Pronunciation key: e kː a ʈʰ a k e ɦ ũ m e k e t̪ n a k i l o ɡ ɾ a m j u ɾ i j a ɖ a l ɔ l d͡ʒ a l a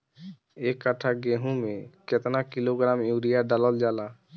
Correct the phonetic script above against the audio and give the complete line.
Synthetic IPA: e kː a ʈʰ a ɡ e ɦ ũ m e k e t̪ n a k i l o ɡ ɾ a m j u ɾ i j a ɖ a l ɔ l d͡ʒ a l a